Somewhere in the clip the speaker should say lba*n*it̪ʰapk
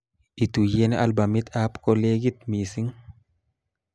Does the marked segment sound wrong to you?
yes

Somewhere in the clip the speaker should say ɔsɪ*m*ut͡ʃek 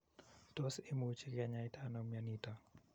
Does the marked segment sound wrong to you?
no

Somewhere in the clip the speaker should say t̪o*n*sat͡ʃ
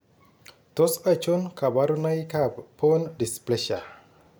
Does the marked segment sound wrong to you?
yes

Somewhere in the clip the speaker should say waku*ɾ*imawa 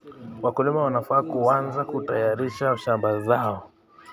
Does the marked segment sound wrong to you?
yes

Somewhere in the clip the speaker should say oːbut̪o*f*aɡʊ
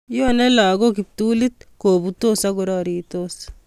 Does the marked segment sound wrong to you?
yes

